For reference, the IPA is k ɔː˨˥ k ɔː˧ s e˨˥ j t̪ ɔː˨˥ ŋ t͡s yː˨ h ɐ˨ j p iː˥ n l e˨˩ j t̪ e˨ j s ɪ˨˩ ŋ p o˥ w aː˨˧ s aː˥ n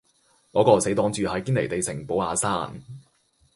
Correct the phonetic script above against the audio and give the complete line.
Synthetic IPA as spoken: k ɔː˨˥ k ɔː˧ s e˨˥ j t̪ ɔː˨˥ ŋ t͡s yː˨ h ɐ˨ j k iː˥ n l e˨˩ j t̪ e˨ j s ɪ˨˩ ŋ p o˨˥ w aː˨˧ s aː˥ n

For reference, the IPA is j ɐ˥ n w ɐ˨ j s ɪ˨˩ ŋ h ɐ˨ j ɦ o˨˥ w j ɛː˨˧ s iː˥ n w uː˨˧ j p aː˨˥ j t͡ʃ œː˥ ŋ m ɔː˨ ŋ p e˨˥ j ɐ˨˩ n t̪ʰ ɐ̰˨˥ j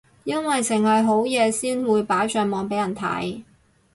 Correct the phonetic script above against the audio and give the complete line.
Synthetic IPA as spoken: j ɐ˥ n w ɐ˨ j s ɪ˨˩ ŋ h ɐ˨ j ɦ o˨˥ w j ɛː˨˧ s iː˥ n w uː˨˧ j p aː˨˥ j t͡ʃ œː˧ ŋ m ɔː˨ ŋ p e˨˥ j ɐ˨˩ n t̪ʰ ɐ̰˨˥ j

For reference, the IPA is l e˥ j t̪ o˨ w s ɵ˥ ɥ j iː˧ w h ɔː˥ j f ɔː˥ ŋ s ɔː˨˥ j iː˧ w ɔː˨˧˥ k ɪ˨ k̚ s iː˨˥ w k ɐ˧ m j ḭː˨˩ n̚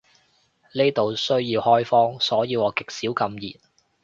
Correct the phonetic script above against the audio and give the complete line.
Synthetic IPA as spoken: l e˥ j t̪ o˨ w s ɵ˥ ɥ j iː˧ w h ɔː˥ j f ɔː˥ ŋ s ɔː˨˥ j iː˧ w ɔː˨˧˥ k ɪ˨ k̚ s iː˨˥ w k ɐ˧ m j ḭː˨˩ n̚

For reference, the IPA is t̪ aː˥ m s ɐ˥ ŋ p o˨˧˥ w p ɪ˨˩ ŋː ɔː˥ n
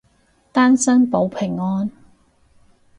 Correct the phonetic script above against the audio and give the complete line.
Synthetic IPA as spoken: t̪ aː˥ n s ɐ˥ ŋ p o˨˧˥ w pʰ ɪ˨˩ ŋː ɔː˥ n

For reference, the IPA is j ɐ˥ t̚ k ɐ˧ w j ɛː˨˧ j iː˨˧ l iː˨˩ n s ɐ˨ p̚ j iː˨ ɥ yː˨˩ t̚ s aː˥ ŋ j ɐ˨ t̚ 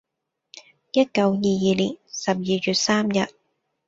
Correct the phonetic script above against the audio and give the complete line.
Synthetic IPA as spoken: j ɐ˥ t̚ k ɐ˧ w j iː˨˧ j iː˨˧ l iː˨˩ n s ɐ˨ p̚ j iː˨ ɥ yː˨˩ t̚ s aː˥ m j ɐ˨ t̚

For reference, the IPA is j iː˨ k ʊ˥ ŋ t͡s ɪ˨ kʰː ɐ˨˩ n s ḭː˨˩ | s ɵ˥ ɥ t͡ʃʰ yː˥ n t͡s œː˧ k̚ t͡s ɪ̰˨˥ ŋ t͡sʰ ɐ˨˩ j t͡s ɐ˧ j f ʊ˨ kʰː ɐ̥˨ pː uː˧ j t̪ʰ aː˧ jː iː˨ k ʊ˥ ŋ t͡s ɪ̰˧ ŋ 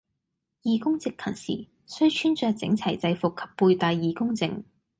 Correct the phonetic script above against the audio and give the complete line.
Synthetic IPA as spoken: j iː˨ k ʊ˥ ŋ t͡s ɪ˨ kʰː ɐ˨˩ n s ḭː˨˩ | s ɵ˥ ɥ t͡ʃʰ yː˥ n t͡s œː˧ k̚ t͡s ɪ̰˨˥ ŋ t͡sʰ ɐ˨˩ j t͡s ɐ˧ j f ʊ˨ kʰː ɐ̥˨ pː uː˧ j t̪ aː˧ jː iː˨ k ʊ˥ ŋ t͡s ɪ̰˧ ŋ

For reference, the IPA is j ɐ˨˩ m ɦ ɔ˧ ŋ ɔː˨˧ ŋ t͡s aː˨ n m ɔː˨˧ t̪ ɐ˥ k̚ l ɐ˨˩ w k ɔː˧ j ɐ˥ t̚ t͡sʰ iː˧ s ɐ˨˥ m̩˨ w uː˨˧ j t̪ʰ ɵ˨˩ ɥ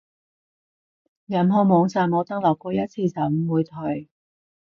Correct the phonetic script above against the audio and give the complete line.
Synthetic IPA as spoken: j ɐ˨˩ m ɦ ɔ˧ m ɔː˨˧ ŋ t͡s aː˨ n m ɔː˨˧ t̪ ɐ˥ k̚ l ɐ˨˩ w k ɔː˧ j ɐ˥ t̚ t͡sʰ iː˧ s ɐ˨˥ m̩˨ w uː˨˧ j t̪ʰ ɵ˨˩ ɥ

